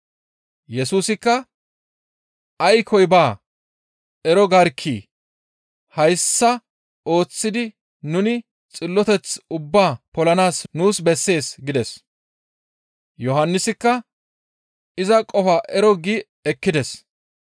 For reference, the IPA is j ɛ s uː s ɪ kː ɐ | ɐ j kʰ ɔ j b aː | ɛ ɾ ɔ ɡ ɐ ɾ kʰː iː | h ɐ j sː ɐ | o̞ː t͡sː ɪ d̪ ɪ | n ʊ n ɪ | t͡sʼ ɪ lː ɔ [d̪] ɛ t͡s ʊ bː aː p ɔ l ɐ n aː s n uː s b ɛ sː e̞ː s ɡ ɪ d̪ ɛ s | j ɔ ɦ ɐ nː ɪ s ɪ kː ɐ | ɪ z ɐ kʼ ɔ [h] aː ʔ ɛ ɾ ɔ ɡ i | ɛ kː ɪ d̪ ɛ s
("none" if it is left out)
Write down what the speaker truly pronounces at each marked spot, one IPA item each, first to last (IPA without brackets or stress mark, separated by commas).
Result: t̪, f